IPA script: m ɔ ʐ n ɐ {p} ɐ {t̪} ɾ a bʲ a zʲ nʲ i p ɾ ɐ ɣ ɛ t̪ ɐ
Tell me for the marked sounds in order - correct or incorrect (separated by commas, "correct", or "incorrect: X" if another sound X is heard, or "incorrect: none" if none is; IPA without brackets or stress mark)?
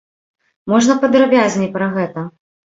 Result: correct, incorrect: d̪